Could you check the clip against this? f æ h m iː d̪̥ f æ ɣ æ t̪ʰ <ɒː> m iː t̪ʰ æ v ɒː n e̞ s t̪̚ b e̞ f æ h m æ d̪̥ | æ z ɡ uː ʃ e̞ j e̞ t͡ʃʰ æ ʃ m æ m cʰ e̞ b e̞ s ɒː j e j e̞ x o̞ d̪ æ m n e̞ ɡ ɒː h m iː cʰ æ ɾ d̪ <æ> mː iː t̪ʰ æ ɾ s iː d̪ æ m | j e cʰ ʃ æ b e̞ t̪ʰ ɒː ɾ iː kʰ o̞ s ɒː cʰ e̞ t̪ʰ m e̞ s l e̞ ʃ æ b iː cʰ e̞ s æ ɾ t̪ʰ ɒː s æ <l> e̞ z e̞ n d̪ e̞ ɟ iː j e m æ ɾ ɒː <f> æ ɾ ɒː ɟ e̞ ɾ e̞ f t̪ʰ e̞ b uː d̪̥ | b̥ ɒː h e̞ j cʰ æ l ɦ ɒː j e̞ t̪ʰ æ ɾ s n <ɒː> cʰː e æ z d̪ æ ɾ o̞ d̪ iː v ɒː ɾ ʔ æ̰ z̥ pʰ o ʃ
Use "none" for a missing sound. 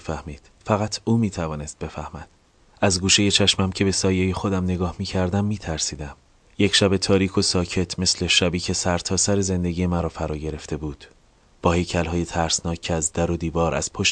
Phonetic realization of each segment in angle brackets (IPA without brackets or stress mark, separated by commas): uː, æ, ɾ, f, ɒː